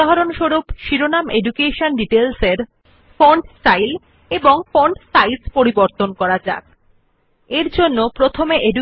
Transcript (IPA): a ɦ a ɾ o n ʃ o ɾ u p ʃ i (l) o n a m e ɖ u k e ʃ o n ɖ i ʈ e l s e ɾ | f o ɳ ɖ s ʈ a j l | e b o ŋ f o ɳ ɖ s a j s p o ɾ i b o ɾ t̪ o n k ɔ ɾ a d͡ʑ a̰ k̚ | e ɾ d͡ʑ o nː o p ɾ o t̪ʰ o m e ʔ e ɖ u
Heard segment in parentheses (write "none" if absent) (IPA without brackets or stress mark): ɾ